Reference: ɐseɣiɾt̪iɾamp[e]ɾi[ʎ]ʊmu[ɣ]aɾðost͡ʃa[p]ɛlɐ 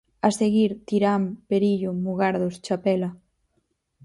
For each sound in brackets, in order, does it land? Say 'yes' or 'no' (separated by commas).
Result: yes, yes, yes, yes